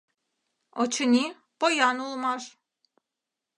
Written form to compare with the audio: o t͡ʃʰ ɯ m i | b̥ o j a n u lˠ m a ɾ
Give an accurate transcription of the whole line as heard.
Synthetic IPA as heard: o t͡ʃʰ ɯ n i | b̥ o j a n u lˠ m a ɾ